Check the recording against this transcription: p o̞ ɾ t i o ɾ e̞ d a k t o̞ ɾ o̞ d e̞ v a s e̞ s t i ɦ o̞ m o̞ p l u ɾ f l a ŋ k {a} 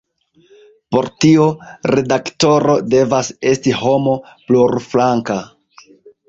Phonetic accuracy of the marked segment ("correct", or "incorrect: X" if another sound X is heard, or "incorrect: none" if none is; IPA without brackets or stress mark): correct